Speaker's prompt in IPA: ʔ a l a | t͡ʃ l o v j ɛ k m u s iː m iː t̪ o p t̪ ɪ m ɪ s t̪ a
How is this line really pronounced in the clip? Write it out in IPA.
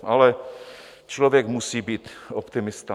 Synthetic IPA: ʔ a l ɛ | t͡ʃ l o v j ɛ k m u s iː b iː t̪ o p t̪ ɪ m ɪ s t̪ a